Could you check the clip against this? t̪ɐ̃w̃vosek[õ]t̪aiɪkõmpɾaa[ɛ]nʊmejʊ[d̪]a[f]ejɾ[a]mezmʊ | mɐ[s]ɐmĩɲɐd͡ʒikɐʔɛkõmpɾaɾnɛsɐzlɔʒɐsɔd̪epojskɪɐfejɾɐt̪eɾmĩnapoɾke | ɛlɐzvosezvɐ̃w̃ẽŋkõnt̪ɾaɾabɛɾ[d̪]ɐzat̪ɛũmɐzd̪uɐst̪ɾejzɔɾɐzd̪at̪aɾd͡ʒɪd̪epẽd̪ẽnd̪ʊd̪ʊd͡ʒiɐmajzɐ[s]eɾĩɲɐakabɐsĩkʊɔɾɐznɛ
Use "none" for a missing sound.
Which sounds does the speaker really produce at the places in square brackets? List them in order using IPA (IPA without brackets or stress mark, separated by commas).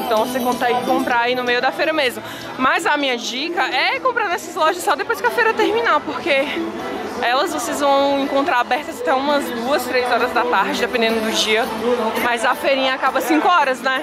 õ, i, d̪, f, ɐ, z, t̪, f